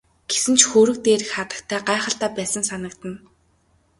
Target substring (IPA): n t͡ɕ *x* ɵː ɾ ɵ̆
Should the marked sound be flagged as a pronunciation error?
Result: no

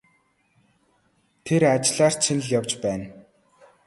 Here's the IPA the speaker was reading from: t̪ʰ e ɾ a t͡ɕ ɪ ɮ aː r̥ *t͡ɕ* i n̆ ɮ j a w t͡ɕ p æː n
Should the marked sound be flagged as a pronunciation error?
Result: yes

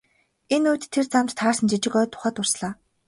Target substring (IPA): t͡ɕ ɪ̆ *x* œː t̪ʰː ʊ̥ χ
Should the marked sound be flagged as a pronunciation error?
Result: yes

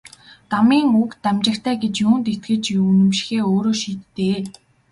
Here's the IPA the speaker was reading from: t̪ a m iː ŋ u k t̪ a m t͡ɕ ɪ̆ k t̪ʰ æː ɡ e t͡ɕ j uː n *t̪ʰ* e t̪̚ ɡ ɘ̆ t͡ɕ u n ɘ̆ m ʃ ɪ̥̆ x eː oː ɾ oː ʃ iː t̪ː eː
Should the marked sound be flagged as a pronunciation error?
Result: yes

